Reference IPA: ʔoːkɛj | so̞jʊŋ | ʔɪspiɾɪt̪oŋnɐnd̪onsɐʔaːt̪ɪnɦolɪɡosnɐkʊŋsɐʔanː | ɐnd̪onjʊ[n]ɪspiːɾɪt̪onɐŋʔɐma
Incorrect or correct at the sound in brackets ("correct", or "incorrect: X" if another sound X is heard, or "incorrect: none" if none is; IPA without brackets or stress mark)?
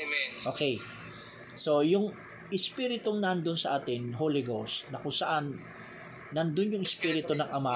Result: incorrect: ŋ